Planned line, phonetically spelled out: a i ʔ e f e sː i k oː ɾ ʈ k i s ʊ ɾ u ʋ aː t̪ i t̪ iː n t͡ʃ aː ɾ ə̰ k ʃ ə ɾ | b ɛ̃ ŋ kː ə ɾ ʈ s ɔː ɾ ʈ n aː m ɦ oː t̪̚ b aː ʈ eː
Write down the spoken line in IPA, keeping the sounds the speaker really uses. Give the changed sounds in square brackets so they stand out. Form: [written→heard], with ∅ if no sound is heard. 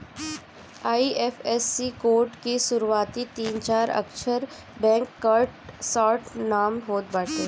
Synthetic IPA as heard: a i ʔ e f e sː i k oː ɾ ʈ k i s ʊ ɾ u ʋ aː t̪ i t̪ iː n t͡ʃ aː ɾ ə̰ k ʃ ə ɾ | b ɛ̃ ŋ kː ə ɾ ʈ s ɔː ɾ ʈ n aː m ɦ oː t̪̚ b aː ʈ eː